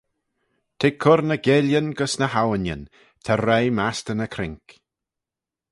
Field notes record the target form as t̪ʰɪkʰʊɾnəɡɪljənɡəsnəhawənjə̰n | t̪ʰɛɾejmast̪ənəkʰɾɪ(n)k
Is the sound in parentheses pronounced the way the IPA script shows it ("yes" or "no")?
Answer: no